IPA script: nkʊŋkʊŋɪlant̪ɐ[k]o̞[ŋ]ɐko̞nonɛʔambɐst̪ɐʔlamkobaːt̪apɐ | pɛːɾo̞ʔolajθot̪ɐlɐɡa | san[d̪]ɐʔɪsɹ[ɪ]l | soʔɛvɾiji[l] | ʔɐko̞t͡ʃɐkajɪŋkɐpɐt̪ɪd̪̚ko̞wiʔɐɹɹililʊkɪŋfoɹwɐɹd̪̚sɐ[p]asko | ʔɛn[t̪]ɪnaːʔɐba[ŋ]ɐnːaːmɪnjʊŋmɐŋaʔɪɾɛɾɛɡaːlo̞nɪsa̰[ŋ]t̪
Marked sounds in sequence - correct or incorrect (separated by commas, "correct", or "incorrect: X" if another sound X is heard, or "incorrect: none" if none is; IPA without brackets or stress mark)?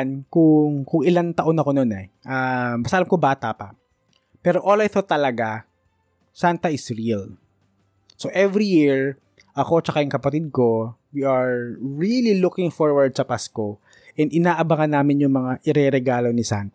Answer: incorrect: ʔ, incorrect: n, incorrect: t̪, incorrect: i, incorrect: ɹ, correct, incorrect: d̪, correct, incorrect: n